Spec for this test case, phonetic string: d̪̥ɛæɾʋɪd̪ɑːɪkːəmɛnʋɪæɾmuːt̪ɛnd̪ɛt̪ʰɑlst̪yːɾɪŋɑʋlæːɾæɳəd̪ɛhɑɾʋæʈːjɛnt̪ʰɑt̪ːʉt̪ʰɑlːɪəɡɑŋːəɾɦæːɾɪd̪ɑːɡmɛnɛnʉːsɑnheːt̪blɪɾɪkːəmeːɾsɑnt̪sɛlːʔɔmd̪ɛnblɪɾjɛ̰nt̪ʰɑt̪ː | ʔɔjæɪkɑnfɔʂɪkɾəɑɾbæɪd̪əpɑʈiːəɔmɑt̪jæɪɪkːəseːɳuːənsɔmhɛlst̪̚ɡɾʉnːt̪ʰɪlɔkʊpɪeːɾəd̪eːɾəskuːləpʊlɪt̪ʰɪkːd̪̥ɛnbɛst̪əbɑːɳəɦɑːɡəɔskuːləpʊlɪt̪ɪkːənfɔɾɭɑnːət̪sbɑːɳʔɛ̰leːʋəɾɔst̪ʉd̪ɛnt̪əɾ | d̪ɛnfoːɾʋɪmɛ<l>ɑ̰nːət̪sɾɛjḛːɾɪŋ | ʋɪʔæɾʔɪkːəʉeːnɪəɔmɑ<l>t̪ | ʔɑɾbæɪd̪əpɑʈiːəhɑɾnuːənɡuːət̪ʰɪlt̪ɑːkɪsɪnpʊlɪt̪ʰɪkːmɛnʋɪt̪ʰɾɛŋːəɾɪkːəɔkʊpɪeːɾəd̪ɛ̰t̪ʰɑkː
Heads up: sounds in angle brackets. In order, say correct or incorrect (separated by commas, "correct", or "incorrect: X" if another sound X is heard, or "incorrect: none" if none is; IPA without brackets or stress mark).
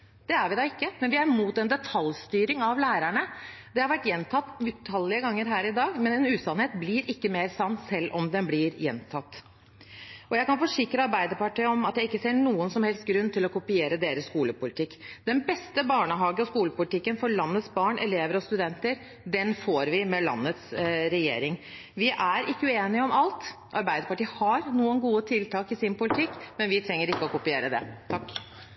correct, correct